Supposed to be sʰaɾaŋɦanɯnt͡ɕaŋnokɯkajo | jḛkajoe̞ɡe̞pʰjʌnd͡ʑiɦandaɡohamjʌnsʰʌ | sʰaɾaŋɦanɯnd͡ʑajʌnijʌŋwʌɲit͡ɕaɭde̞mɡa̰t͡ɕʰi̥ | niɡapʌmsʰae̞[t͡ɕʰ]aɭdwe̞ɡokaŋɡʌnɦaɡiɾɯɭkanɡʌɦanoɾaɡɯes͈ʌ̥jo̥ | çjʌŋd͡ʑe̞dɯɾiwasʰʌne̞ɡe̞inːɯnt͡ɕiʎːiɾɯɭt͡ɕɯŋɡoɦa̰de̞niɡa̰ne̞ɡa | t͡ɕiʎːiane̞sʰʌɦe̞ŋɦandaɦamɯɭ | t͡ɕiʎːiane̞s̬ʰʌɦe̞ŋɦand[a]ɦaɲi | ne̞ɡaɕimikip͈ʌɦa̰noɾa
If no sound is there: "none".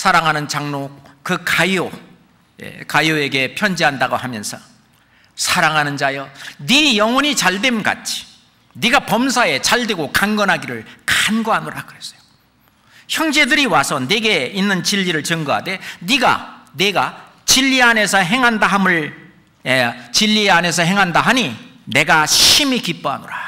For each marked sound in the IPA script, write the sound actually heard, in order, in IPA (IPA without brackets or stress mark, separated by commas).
t͡ɕ, a